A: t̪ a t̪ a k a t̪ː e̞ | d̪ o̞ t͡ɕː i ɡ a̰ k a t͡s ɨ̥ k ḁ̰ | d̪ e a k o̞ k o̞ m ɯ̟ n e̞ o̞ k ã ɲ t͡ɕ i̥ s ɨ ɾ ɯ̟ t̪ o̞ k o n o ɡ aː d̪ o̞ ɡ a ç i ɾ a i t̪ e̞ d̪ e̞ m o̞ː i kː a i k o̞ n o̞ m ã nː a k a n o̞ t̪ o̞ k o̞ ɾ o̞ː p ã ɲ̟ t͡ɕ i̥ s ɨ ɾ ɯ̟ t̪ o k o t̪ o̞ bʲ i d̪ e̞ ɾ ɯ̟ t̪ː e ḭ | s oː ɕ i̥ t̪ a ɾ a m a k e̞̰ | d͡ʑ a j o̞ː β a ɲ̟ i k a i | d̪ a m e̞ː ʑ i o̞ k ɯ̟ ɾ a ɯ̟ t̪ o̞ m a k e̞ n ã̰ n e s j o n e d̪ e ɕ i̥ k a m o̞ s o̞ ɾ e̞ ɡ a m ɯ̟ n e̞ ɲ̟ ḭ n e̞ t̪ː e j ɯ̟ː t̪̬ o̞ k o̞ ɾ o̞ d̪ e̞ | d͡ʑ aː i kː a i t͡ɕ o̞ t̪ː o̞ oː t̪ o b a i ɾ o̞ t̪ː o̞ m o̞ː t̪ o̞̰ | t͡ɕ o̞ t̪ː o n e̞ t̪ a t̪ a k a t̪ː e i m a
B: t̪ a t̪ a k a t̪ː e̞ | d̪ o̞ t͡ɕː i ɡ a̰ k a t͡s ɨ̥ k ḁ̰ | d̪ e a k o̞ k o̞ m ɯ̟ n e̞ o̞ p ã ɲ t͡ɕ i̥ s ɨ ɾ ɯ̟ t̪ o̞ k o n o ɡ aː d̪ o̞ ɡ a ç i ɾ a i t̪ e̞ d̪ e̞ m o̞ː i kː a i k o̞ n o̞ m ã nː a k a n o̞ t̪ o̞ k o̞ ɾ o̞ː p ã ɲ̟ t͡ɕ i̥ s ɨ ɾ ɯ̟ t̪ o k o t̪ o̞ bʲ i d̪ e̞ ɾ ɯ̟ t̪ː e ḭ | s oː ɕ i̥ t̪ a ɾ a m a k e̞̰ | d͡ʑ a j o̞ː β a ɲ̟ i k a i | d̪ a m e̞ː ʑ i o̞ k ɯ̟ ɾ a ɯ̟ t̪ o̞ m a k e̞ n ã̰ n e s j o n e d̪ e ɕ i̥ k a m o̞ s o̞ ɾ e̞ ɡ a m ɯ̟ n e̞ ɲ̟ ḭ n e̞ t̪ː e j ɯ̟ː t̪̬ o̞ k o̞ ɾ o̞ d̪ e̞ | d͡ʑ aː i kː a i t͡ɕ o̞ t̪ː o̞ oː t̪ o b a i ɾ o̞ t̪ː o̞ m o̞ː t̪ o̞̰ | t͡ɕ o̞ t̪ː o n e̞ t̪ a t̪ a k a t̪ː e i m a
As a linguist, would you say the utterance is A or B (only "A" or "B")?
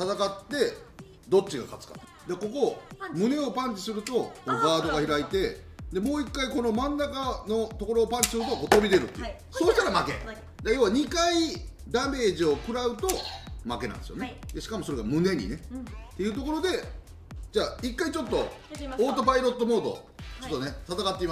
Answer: B